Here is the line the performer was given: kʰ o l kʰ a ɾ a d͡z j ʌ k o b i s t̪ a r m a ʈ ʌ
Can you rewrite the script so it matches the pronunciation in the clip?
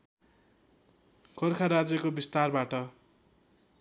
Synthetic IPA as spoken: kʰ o r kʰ a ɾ a d͡z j ʌ k o b i s t̪ a r b a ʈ ʌ

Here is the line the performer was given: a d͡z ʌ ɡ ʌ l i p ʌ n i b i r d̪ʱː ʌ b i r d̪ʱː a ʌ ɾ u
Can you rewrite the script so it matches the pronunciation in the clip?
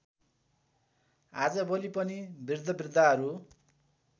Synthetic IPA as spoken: a d͡z ʌ b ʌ l i p ʌ n i b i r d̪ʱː ʌ b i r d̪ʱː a ʌ ɾ u

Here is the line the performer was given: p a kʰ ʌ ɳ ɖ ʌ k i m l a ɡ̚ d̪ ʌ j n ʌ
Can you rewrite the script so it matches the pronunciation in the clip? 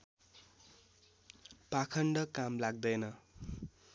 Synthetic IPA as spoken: p a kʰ ʌ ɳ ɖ ʌ k a m l a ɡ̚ d̪ ʌ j n ʌ

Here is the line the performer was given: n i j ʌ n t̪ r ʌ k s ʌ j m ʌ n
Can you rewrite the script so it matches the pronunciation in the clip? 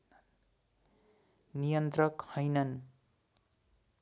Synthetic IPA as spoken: n i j ʌ n t̪ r ʌ k h ʌ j n ʌ n

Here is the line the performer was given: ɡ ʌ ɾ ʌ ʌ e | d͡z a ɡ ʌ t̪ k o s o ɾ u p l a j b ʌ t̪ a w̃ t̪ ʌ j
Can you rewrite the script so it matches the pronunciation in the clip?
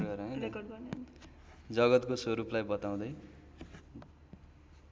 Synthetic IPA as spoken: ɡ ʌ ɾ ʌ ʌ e | d͡z ʌ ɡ ʌ t̪ k o s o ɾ u p l a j b ʌ t̪ a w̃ d̪ ʌ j

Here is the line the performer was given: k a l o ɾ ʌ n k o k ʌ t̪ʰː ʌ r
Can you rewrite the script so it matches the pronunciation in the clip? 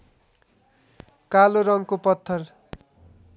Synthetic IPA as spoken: k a l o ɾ ʌ ŋ k o p ʌ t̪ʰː ʌ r

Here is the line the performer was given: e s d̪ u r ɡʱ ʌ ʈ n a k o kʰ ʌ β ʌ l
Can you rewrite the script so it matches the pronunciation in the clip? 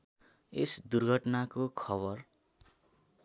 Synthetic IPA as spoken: e s d̪ u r ɡʱ ʌ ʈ n a k o kʰ ʌ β ʌ r

